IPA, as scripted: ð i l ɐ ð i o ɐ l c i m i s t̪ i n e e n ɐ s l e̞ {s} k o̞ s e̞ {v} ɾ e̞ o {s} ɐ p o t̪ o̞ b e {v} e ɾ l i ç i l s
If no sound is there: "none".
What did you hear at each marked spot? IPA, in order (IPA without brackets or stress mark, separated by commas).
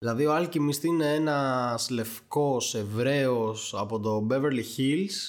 f, v, s, v